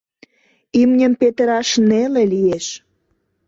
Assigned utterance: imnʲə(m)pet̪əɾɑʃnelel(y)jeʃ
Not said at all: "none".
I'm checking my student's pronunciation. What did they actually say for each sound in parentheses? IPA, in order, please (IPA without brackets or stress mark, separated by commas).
m, i